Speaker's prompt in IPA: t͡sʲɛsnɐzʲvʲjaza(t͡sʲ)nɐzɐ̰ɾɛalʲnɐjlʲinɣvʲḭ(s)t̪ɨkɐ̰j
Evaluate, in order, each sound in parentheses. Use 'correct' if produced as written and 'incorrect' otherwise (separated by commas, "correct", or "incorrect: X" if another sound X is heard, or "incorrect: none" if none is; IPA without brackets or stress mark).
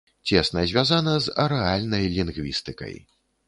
incorrect: none, correct